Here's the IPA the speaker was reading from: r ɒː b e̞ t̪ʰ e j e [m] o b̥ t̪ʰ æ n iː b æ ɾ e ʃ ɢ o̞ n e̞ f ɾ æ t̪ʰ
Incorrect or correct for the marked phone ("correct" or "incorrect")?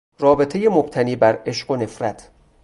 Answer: correct